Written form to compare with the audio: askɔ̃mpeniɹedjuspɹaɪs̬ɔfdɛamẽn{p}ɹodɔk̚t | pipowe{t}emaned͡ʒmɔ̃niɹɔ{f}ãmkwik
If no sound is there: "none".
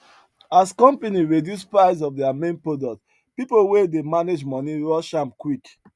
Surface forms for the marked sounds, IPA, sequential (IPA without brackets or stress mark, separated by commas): p, d, ʃ